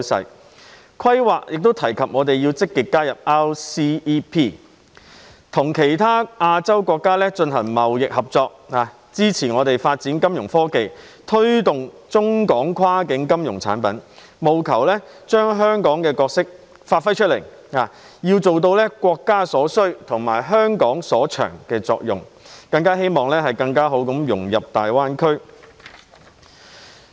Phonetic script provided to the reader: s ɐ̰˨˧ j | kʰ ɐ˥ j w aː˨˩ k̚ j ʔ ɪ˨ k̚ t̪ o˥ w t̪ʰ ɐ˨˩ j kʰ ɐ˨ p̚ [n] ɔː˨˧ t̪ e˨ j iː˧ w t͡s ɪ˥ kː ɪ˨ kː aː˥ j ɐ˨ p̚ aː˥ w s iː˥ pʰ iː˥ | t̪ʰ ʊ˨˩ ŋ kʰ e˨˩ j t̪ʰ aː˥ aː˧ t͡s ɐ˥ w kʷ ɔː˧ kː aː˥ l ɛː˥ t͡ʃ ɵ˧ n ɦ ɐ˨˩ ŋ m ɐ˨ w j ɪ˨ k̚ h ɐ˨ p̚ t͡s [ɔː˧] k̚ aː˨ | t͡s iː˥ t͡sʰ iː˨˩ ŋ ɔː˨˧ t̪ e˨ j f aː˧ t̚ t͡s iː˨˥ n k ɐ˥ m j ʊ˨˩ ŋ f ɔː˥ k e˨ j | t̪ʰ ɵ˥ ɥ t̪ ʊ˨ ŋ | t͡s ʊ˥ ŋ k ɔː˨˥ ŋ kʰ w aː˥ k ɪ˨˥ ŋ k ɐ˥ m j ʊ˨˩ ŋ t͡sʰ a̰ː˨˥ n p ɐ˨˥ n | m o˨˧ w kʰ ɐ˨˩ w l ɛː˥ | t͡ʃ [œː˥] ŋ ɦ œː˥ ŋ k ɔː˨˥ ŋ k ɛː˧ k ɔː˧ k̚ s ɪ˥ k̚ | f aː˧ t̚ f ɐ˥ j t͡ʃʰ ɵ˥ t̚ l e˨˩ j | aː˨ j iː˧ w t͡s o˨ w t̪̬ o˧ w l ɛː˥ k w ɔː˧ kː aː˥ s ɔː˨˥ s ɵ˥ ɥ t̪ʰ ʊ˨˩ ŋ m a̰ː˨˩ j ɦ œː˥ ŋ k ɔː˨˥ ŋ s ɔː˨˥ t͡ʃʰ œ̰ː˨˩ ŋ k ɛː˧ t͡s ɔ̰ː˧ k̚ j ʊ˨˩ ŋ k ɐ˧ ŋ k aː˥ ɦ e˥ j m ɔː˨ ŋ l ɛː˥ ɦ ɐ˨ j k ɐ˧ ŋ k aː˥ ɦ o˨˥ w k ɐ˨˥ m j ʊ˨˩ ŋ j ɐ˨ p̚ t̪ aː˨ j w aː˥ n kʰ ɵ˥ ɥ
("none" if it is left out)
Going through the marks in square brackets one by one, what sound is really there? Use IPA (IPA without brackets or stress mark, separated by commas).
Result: ŋ, ɔː˧, œː˥